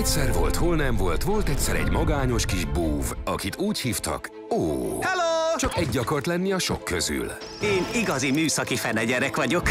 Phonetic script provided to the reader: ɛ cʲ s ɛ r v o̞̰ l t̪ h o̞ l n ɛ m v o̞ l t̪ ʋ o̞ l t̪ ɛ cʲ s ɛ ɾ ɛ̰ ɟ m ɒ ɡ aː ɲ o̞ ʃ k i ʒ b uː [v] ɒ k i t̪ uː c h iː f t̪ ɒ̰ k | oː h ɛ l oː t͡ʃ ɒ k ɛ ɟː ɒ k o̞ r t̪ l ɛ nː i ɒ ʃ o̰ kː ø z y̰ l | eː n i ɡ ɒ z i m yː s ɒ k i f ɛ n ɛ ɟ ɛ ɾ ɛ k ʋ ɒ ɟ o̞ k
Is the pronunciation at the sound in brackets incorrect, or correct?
correct